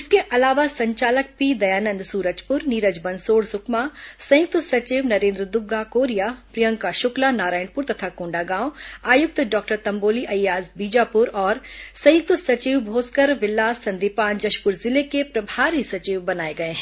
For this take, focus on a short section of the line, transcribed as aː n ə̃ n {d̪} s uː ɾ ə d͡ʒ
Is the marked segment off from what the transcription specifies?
no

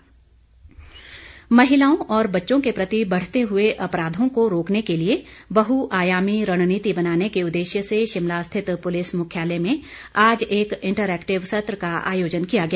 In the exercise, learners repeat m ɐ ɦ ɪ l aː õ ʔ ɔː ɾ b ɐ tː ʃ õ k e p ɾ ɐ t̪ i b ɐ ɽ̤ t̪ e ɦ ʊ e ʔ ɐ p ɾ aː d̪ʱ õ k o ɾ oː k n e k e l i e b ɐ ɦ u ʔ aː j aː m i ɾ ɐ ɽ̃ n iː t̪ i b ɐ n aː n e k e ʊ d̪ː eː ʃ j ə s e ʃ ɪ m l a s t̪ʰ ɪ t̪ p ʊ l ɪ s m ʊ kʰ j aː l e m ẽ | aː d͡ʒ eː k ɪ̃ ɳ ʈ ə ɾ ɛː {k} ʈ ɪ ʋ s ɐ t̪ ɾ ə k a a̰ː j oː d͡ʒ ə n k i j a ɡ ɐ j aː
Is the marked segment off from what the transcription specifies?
no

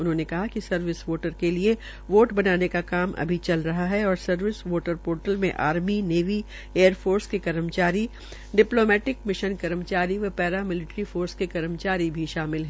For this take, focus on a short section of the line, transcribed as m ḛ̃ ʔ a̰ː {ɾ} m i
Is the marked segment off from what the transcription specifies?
no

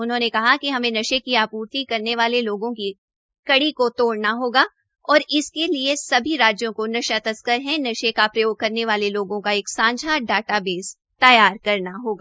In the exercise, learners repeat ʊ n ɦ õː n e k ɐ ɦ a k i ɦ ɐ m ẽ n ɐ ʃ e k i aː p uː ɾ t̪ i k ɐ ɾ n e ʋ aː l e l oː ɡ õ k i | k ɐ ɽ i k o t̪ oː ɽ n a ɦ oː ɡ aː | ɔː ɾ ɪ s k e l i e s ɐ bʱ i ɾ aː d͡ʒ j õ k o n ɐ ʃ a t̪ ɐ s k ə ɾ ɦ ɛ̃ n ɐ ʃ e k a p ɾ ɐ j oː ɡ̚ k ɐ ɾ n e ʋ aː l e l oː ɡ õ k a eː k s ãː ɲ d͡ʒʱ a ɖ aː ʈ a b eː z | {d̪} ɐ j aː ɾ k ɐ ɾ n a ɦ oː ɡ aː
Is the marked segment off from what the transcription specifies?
yes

